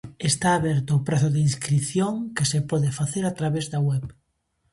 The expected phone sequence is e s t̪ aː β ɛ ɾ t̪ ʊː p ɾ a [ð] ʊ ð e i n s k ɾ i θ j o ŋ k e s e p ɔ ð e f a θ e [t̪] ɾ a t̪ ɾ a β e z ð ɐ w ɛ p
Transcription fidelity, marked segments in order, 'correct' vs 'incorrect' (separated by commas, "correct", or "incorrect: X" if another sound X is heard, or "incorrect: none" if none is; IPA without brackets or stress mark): incorrect: θ, incorrect: none